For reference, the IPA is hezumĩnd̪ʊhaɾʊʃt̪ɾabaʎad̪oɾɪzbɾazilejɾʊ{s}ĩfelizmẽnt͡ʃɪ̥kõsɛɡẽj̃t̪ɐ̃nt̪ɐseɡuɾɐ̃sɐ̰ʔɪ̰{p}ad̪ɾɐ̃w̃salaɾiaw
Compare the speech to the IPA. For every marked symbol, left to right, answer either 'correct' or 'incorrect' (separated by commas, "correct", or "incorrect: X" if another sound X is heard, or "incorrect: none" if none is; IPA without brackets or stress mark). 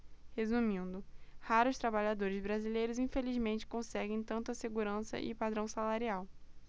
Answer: incorrect: z, correct